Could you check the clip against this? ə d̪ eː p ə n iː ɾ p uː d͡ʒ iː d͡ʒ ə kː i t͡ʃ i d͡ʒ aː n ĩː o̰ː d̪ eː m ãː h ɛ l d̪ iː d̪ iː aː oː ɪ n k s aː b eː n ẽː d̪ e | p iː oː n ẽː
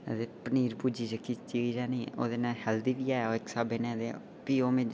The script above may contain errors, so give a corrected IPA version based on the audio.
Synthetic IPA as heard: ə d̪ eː p ə n iː ɾ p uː d͡ʒ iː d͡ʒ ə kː i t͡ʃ i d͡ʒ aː n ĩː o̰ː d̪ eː n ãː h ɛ l d̪ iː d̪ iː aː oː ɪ k s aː b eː n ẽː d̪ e | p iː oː m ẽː